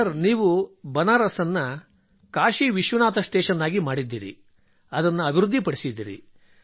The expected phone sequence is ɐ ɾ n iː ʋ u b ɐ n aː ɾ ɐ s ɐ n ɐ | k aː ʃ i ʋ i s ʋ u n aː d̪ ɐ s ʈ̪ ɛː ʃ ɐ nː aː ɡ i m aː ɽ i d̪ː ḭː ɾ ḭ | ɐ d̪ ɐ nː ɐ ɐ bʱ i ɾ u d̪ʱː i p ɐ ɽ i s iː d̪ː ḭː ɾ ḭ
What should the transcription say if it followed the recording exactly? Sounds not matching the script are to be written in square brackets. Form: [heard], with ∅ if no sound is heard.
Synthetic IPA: ɐ ɾ n iː ʋ u b ɐ n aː ɾ ɐ s ɐ [nː] ɐ | k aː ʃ i ʋ i [ʃ] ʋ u n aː [t̪] ɐ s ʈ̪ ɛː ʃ ɐ nː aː ɡ i m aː ɽ i d̪ː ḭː ɾ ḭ | ɐ d̪ ɐ nː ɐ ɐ bʱ i ɾ u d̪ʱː i p ɐ ɽ i s [i] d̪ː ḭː ɾ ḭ

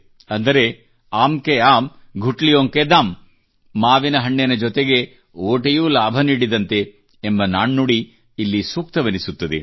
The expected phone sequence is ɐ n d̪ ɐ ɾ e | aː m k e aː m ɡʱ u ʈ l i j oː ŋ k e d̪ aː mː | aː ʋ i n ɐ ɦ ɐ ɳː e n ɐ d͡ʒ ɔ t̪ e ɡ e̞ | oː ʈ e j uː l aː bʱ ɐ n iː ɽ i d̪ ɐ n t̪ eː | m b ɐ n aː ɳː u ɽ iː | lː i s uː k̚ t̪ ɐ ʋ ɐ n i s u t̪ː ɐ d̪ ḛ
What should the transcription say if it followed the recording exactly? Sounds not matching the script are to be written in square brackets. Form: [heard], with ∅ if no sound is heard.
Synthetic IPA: ɐ n d̪ ɐ ɾ e | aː m k e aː m ɡʱ u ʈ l i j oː ŋ k e d̪ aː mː | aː ʋ i n ɐ ɦ ɐ ɳː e n ɐ d͡ʒ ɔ t̪ e ɡ e̞ | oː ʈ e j uː l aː bʱ ɐ n iː ɽ i d̪ ɐ n t̪ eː | m b ɐ n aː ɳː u ɽ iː | lː i s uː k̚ t̪ ɐ ʋ ɐ n i s u t̪ː ɐ d̪ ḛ

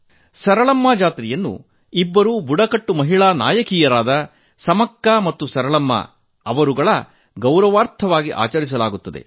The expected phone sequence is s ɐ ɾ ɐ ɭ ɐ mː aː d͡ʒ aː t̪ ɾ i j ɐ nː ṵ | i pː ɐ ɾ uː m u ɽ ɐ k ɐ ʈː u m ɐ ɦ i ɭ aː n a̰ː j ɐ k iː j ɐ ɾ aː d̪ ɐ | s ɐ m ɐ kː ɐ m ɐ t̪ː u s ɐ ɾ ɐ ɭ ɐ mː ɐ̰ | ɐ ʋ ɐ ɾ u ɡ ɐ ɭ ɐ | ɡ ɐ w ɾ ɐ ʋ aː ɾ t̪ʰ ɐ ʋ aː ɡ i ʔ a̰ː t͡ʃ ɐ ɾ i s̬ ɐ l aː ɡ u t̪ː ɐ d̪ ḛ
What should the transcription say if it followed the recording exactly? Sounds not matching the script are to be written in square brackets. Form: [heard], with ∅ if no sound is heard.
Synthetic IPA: s ɐ ɾ ɐ ɭ ɐ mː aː d͡ʒ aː t̪ ɾ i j ɐ nː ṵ | i [bː] ɐ ɾ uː [b] u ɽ ɐ k ɐ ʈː u m ɐ ɦ i ɭ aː n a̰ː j ɐ k iː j ɐ ɾ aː d̪ ɐ | s ɐ m ɐ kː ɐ m ɐ t̪ː u s ɐ ɾ ɐ ɭ ɐ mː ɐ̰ | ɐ ʋ ɐ ɾ u ɡ ɐ ɭ ɐ | ɡ ɐ w ɾ ɐ ʋ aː ɾ t̪ʰ ɐ ʋ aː ɡ i ʔ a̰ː t͡ʃ ɐ ɾ i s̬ ɐ l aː ɡ u t̪ː ɐ d̪ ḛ

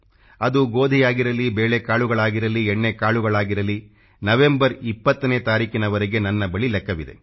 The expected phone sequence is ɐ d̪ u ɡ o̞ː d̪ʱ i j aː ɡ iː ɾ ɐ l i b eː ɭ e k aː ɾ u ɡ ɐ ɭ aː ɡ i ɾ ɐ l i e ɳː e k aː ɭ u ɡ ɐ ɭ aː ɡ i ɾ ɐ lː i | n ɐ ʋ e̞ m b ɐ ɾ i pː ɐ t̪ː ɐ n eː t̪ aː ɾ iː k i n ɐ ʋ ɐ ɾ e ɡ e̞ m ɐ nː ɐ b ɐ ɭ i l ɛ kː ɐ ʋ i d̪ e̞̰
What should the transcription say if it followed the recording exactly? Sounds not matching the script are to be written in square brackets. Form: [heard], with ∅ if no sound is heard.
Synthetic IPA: ɐ d̪ u ɡ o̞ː d̪ʱ i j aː ɡ [i] ɾ ɐ l i b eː ɭ e k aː [ɭ] u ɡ ɐ ɭ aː ɡ i ɾ ɐ l i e ɳː e k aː ɭ u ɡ ɐ ɭ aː ɡ i ɾ ɐ [l] i | n ɐ ʋ e̞ m b ɐ ɾ i pː ɐ t̪ː ɐ n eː t̪ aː ɾ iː k i n ɐ ʋ ɐ ɾ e ɡ e̞ [n] ɐ nː ɐ b ɐ ɭ i l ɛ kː ɐ ʋ i d̪ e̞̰

